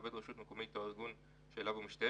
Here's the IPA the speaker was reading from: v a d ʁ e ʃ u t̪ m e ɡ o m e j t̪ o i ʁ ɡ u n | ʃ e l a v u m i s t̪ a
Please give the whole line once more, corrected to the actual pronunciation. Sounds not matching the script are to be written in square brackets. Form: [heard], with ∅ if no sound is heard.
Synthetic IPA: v [e] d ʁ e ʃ u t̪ m e [k] o m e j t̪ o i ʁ ɡ u n | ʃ e l a v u m i [ʃ] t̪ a